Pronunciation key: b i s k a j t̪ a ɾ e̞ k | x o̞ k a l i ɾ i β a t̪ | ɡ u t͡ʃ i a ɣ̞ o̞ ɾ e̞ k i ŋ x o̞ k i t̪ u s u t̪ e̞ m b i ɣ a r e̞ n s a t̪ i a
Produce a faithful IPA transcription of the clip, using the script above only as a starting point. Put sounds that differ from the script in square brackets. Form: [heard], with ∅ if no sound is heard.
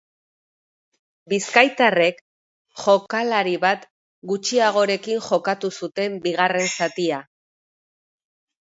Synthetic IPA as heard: b i s k a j t̪ a [r] e̞ k | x o̞ k a l [a] ɾ i β a t̪ | ɡ u t͡ʃ i a ɣ̞ o̞ ɾ e̞ k i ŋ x o̞ k [a] t̪ u s u t̪ e̞ m b i ɣ a r e̞ n s a t̪ i a